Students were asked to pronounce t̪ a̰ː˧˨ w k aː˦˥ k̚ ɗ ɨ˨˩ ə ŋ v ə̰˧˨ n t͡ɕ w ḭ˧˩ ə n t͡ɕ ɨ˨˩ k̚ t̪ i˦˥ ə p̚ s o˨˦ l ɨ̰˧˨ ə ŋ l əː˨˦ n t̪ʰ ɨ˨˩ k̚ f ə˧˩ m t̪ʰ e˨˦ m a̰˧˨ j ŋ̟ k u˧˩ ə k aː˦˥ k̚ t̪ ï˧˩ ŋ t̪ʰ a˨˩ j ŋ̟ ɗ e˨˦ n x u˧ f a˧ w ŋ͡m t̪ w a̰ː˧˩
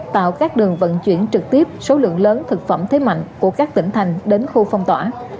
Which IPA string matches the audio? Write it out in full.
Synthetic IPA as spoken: t̪ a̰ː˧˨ w k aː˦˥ k̚ ɗ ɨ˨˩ ə ŋ v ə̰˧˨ n t͡ɕ w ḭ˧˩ ə n t͡ɕ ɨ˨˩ k̚ t̪ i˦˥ ə p̚ s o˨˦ l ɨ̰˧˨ ə ŋ l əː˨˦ n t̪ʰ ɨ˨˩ k̚ f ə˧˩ m t̪ʰ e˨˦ m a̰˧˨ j ŋ̟ k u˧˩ ə k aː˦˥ k̚ t̪ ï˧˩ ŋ t̪ʰ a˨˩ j ŋ̟ ɗ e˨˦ n x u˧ f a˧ w ŋ͡m t̪ w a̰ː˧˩